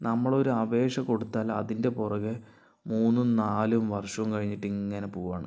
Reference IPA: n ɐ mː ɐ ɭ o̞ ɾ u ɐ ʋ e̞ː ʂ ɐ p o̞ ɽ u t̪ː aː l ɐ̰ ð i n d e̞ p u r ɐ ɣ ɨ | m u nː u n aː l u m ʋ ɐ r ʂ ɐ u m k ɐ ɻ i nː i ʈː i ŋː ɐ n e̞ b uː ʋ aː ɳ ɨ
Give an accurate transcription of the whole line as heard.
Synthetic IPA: n ɐ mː ɐ ɭ o̞ ɾ u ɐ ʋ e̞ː ʂ ɐ k o̞ ɽ u t̪ː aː l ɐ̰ ð i n d e̞ p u r ɐ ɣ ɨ | m uː nː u n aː l u m ʋ ɐ r ʂ ɐ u m k ɐ ɻ i ɲː i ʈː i ŋː ɐ n e̞ p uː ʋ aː ɳ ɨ